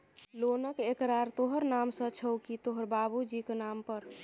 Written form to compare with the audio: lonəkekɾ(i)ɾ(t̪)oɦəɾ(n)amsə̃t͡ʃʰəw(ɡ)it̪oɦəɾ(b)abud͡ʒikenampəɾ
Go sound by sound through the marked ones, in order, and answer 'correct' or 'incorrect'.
incorrect: a, correct, correct, incorrect: k, correct

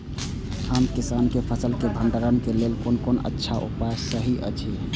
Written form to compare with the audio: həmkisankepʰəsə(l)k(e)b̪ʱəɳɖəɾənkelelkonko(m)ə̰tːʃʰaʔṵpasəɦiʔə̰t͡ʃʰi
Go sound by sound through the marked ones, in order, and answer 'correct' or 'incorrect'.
correct, correct, incorrect: n

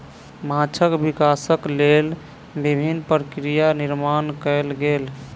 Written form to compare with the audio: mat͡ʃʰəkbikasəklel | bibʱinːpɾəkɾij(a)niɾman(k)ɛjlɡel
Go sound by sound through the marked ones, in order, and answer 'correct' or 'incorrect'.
correct, correct

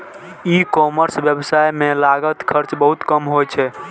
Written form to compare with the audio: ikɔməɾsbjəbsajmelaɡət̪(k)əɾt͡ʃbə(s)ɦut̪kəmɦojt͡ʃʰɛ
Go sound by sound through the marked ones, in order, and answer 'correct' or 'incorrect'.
incorrect: kʰ, incorrect: none

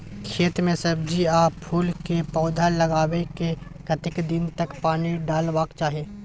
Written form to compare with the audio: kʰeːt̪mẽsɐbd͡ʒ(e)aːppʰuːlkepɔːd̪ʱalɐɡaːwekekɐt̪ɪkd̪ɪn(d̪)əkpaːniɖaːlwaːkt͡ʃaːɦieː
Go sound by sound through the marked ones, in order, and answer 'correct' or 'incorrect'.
incorrect: i, incorrect: t̪

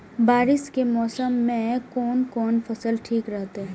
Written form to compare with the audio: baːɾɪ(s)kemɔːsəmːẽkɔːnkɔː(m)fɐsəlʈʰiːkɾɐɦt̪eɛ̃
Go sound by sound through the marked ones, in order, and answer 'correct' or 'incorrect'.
correct, incorrect: n

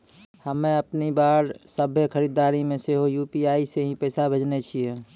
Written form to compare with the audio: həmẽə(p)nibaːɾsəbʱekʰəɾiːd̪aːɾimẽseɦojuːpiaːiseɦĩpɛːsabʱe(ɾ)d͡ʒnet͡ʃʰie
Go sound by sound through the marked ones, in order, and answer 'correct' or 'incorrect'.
correct, incorrect: none

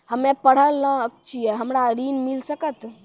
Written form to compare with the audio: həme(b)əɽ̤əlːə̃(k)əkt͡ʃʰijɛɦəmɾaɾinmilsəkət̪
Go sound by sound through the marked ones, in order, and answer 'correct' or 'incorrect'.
incorrect: p, incorrect: none

